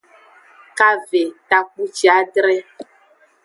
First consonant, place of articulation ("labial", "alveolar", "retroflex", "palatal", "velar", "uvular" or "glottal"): velar